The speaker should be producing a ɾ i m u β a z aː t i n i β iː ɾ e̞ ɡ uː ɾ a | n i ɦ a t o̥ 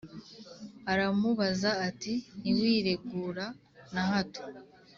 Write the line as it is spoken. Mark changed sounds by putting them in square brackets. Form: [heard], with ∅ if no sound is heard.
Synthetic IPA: a ɾ [a] m u β a z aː t i n i [w] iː ɾ e̞ ɡ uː ɾ a | n [a] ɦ a t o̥